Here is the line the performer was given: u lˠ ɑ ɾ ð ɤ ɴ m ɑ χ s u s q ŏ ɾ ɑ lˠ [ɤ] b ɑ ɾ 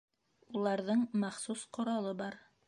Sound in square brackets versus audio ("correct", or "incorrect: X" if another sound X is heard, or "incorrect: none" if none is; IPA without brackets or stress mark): correct